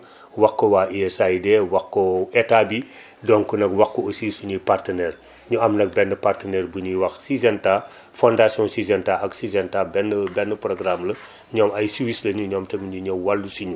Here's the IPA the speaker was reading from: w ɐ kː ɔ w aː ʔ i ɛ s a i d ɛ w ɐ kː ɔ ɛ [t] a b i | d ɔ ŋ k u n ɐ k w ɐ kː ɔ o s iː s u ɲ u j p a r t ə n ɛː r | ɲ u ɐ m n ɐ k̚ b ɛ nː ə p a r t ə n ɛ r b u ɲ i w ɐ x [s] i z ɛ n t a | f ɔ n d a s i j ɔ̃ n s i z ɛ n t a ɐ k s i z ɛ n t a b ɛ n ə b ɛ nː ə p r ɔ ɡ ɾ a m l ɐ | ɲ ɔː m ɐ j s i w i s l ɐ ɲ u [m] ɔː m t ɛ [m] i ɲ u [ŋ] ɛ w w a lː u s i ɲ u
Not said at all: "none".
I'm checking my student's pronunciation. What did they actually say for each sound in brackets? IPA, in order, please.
t, s, ɲ, m, ɲ

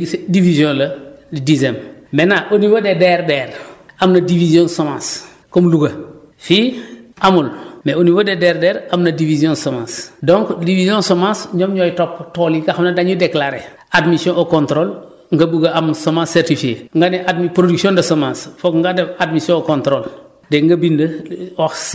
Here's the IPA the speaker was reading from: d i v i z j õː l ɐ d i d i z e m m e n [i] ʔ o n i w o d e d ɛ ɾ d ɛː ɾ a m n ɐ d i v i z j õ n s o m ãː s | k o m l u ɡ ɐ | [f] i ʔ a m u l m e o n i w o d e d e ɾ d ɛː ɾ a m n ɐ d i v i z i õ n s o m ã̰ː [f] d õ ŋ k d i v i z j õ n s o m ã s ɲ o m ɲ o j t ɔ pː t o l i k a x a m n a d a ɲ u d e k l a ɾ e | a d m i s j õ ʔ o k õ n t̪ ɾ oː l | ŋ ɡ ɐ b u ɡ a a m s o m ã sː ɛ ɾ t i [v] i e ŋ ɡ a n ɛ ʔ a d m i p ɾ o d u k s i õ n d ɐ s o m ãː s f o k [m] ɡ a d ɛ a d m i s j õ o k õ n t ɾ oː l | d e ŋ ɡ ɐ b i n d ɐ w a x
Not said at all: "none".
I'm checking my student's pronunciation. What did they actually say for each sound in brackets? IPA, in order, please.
a, f, s, f, ŋ

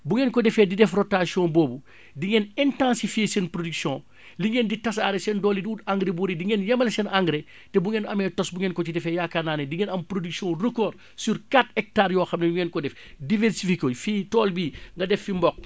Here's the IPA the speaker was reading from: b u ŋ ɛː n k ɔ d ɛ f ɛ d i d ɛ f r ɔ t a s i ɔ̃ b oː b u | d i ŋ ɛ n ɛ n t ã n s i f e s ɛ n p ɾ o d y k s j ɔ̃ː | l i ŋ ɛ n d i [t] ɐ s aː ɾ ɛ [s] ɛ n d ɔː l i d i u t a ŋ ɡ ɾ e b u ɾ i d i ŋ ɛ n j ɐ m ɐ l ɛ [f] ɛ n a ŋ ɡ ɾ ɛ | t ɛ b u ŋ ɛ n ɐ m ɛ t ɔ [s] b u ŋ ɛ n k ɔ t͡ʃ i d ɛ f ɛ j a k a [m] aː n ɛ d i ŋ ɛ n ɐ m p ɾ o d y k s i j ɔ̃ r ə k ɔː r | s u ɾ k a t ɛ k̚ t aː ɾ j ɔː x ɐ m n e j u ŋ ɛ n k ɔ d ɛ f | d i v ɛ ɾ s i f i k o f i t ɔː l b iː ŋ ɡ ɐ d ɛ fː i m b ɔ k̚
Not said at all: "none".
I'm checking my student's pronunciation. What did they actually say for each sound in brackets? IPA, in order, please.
t, s, s, s, n

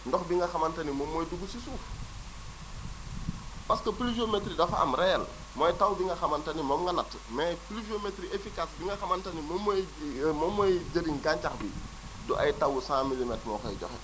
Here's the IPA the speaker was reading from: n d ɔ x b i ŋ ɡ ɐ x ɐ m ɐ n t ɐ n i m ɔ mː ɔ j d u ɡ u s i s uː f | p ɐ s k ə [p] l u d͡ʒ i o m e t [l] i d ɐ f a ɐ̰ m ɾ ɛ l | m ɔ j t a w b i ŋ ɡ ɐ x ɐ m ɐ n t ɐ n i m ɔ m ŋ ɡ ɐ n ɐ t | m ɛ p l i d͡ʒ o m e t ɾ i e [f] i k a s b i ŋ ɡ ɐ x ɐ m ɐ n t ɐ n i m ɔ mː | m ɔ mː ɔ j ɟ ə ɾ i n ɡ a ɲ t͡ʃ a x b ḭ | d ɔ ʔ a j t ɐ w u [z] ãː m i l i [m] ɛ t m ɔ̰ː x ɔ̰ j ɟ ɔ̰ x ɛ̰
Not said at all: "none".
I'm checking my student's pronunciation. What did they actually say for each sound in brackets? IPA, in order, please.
p, ɾ, f, s, m

